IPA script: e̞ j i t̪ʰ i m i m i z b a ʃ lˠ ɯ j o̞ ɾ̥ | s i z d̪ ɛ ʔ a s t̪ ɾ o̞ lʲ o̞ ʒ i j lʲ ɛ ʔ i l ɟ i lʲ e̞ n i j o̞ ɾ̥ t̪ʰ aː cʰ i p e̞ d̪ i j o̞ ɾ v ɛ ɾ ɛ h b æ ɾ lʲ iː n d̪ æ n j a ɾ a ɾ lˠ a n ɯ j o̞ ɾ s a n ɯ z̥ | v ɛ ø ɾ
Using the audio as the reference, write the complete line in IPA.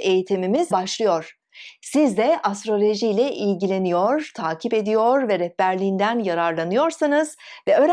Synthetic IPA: e̞ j i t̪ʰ i m i m i z b a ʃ lˠ ɯ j o̞ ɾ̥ | s i z d̪ ɛ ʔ a s t̪ ɾ o̞ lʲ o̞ ʒ i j lʲ ɛ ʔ i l ɟ i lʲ e̞ n i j o̞ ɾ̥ t̪ʰ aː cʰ i p e̞ d̪ i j o̞ ɾ v ɛ ɾ ɛ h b æ ɾ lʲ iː n d̪ æ n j a ɾ a ɾ lˠ a n ɯ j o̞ ɾ s a n ɯ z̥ | v ɛ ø ɾ